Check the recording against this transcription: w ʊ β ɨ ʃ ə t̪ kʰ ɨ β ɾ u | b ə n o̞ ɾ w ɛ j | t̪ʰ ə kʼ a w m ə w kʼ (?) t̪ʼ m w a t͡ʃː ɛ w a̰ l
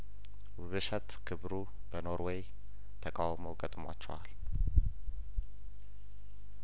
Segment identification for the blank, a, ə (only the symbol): ə